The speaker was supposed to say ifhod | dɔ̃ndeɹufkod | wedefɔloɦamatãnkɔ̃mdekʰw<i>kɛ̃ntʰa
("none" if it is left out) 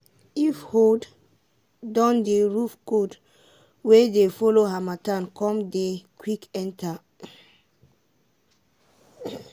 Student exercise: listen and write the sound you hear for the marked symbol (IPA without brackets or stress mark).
i